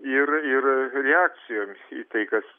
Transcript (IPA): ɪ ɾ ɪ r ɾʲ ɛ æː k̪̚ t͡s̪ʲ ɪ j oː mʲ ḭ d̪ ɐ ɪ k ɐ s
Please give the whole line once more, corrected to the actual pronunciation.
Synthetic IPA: ɪ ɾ ɪ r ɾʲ ɛ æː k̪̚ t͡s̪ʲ ɪ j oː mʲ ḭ t̪ ɐ ɪ k ɐ s